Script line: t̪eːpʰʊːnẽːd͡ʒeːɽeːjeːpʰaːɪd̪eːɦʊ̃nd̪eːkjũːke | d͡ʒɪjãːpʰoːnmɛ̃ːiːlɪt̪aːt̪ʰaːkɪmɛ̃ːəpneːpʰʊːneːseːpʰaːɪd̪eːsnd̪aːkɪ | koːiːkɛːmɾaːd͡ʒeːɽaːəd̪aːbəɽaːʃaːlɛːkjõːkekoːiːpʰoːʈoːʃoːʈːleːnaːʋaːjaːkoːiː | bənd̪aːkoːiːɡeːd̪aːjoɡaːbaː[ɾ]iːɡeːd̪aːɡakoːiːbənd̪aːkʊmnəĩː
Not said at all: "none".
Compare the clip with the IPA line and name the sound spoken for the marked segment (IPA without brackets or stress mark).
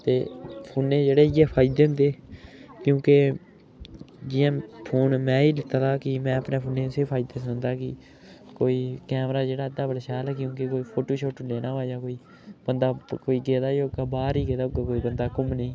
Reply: ɾ